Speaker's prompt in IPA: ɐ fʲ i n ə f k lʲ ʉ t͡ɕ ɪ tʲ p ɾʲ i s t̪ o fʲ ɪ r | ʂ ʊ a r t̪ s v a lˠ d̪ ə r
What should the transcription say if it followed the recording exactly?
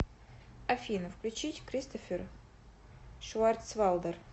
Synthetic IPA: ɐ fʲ i n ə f k lʲ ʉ t͡ɕ i tʲ k ɾʲ i s t̪ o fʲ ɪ r | ʂ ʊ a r t̪ s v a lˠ d̪ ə r